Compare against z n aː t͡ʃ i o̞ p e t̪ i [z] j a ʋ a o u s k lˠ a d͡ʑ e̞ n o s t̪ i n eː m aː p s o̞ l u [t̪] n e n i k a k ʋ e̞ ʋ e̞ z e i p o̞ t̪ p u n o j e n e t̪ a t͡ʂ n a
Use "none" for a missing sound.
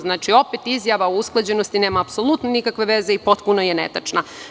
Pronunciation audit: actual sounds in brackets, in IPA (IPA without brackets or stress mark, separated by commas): z, t̪